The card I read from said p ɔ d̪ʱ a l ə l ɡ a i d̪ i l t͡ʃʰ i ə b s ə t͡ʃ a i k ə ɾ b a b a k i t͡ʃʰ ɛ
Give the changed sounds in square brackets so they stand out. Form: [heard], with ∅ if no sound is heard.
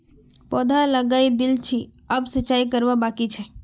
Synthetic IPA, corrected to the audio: p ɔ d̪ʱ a l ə [∅] ɡ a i d̪ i l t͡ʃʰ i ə b s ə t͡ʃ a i k ə ɾ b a b a k i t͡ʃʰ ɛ

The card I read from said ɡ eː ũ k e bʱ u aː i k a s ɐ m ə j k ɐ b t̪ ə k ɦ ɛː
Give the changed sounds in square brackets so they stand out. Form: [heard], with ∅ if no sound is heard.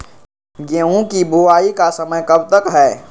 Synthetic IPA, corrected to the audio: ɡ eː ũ k [i] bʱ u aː i k a s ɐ m ə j k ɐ b t̪ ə k ɦ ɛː

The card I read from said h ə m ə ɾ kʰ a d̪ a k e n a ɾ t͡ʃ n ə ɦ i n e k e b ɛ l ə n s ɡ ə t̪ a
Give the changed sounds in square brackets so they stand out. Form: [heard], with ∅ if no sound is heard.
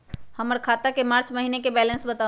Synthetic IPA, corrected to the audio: h ə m ə ɾ kʰ a [t̪] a k e [m] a ɾ t͡ʃ [m] ə ɦ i n e k e b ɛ l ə n s [b] ə t̪ a

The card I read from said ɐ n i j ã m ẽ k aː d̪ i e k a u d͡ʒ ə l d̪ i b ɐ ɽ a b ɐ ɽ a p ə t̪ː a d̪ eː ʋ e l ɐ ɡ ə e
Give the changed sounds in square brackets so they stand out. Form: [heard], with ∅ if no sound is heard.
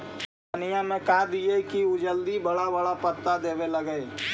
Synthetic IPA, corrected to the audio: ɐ n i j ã m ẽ k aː d̪ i e k [i] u d͡ʒ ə l d̪ i b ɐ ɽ a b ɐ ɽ a p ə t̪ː a d̪ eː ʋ e l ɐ ɡ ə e

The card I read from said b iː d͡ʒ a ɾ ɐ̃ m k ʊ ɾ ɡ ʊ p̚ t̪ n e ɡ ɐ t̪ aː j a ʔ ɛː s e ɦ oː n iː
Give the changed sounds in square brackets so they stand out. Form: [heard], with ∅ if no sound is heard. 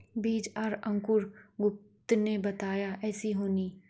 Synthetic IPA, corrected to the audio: b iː d͡ʒ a ɾ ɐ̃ [ŋ] k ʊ ɾ ɡ ʊ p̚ t̪ n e [b] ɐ t̪ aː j a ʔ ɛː s [i] ɦ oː n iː

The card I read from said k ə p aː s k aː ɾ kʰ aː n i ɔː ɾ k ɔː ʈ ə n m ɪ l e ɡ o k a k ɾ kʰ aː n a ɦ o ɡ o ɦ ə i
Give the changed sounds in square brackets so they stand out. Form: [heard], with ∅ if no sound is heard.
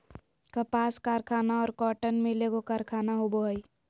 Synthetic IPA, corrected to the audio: k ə p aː s k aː ɾ kʰ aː n [a] ɔː ɾ k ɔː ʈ ə n m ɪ l e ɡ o k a [∅] ɾ kʰ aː n a ɦ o [b] o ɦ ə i

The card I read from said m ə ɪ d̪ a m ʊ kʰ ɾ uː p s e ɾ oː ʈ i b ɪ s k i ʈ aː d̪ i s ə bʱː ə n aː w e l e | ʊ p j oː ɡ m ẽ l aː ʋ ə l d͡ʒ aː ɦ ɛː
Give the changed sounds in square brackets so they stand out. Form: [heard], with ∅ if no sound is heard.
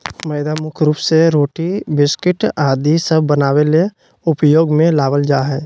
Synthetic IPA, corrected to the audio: m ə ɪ d̪ a m ʊ kʰ ɾ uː p s e ɾ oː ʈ i b ɪ s k [ɪ] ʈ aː d̪ i s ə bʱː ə n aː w e l e | ʊ p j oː ɡ m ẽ l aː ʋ ə l d͡ʒ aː ɦ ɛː

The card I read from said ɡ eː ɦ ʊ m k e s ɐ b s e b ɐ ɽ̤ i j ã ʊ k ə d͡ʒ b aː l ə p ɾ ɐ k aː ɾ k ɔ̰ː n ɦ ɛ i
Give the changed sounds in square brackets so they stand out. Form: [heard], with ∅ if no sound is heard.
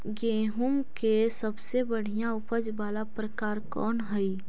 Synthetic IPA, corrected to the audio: ɡ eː ɦ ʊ m k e s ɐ b s e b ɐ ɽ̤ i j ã ʊ [p] ə d͡ʒ b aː l [a] p ɾ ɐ k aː ɾ k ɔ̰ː n ɦ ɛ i

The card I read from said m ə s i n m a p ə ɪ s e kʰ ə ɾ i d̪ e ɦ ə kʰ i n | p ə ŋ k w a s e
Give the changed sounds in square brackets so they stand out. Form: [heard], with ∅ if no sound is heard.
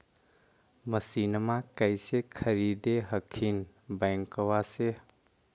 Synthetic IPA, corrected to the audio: m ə s i n m a [k] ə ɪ s e kʰ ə ɾ i d̪ e ɦ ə kʰ i n | [b] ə ŋ k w a s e

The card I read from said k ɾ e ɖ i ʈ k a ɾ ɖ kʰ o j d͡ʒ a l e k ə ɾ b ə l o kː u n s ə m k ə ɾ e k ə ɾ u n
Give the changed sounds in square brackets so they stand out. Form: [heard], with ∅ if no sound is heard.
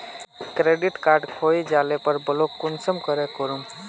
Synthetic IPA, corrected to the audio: k ɾ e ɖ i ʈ k a ɾ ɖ kʰ o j d͡ʒ a l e [p] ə ɾ b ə l o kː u n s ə m k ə ɾ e k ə ɾ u [m]

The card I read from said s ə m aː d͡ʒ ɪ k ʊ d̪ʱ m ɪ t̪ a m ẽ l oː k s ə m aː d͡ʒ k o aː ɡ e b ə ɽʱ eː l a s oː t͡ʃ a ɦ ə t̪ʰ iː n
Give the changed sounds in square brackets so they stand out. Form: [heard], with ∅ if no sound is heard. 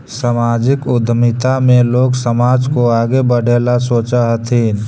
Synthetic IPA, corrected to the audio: s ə m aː d͡ʒ ɪ k ʊ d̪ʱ m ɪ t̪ a m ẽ l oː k s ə m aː d͡ʒ k o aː ɡ e b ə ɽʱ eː l a s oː t͡ʃ a ɦ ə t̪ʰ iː n

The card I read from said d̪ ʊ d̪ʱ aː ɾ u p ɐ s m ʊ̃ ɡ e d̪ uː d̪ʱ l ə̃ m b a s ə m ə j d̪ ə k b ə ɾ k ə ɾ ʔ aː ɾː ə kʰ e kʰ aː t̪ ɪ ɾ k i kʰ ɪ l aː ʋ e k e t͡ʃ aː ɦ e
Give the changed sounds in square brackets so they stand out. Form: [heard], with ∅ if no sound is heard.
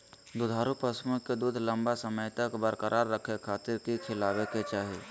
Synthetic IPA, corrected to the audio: d̪ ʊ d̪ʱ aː ɾ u p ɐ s m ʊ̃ [k] e d̪ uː d̪ʱ l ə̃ m b a s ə m ə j [t̪] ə k b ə ɾ k ə ɾ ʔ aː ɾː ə kʰ e kʰ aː t̪ ɪ ɾ k i kʰ ɪ l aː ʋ e k e t͡ʃ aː ɦ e

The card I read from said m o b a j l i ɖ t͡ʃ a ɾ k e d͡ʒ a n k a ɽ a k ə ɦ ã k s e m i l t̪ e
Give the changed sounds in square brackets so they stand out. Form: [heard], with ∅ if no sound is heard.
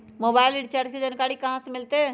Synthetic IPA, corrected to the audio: m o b a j l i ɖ t͡ʃ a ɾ k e d͡ʒ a n k a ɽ [i] k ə ɦ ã [∅] s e m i l t̪ e

